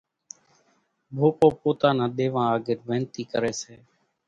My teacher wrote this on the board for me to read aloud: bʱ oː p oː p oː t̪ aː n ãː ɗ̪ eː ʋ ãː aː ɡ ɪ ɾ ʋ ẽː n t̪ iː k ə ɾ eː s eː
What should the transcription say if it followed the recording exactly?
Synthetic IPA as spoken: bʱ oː p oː p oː t̪ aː n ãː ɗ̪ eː ʋ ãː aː ɡ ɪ ɾ ʋ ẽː n t̪ iː k ə ɾ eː s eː